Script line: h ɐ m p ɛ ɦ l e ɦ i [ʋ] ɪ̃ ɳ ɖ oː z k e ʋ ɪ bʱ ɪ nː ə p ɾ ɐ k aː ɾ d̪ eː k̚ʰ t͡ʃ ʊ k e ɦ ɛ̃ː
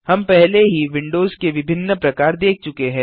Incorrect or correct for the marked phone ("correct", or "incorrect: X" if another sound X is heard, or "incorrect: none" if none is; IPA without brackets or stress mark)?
correct